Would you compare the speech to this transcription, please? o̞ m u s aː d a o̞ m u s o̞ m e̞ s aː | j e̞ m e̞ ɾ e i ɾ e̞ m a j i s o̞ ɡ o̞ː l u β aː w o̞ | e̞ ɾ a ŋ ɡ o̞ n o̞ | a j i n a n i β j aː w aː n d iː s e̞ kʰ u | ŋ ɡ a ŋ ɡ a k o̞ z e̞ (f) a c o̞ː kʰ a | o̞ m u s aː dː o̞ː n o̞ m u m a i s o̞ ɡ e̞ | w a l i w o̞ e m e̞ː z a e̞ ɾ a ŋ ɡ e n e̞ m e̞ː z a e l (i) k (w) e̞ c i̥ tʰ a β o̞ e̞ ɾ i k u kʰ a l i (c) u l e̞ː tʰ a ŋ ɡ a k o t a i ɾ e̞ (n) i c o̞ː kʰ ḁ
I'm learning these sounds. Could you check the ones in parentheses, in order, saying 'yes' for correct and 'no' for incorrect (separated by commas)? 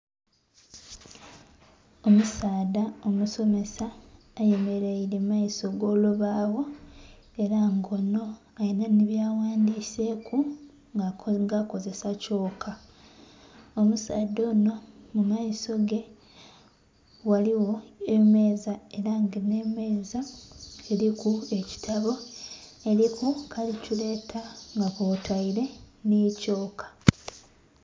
no, yes, no, yes, yes